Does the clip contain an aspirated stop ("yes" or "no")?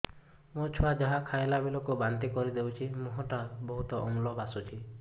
yes